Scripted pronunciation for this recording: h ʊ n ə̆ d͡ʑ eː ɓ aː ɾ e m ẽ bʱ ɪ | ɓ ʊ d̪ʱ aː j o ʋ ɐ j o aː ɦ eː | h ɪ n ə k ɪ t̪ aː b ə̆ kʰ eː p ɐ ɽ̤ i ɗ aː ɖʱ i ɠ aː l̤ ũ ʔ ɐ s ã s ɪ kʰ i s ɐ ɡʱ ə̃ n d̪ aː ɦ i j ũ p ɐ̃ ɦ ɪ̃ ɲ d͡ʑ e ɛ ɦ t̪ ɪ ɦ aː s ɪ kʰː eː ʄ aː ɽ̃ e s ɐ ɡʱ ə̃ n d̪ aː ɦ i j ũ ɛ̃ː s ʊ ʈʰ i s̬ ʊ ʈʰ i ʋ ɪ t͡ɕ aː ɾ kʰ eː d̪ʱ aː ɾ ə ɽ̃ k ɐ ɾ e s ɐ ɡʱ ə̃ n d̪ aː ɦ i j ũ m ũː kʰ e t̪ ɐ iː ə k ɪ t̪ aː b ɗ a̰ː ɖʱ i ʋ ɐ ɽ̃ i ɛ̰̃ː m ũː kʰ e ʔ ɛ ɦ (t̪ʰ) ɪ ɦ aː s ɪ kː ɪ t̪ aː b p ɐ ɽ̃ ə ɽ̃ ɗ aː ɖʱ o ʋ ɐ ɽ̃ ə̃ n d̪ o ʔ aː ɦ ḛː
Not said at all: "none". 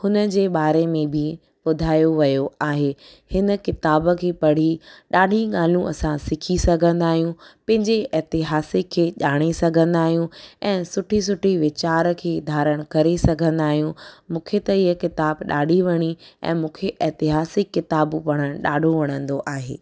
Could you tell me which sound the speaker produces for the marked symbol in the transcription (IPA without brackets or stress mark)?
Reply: t̪